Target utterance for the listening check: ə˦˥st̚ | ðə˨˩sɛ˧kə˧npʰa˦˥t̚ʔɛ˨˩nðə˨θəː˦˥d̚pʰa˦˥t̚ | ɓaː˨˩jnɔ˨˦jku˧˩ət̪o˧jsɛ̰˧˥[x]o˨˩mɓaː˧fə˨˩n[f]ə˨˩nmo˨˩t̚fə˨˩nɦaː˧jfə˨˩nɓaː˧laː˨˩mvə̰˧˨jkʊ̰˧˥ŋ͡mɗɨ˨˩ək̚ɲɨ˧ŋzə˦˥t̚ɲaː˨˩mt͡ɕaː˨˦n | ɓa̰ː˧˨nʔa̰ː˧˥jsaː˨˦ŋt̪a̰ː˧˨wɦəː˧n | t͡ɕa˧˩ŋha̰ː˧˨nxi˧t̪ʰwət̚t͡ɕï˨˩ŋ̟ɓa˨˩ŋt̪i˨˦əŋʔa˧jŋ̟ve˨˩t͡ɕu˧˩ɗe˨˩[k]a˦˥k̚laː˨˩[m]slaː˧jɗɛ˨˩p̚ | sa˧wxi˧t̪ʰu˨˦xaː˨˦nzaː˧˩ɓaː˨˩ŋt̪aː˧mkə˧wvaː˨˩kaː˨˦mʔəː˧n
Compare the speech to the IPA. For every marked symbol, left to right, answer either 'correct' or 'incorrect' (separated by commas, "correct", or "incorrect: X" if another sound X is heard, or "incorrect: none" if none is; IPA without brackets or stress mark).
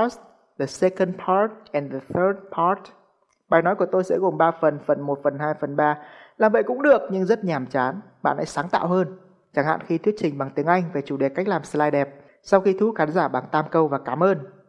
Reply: incorrect: ɣ, correct, correct, correct